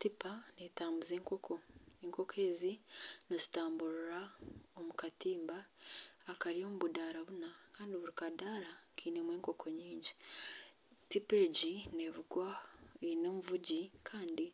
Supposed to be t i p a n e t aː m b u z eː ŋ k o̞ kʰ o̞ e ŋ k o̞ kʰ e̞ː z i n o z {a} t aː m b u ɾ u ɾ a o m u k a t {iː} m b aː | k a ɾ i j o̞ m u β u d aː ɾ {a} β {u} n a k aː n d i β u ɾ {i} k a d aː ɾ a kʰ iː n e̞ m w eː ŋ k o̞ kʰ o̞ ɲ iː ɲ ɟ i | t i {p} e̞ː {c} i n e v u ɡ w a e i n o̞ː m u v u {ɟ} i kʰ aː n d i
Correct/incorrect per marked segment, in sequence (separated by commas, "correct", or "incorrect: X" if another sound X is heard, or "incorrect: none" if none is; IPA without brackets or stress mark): incorrect: i, correct, correct, correct, correct, correct, incorrect: ɟ, correct